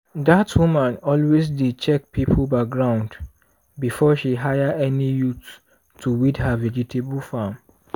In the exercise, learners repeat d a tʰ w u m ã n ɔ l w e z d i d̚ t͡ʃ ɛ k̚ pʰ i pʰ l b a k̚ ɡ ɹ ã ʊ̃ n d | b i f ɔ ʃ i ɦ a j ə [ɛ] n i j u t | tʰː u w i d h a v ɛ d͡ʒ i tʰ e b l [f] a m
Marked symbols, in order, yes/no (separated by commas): yes, yes